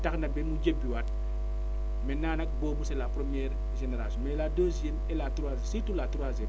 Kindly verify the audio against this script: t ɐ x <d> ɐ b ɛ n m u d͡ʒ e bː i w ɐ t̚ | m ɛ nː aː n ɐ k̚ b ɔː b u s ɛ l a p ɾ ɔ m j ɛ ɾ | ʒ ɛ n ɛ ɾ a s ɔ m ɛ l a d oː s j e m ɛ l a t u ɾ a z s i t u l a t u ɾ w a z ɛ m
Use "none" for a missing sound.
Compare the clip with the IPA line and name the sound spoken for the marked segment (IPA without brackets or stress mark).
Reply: n